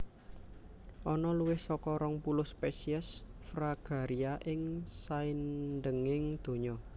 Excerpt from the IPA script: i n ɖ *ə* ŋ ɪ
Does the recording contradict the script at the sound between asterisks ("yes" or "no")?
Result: no